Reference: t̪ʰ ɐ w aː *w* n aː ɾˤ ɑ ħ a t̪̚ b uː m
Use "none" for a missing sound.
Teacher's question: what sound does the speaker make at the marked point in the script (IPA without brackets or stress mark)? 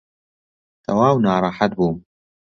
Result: w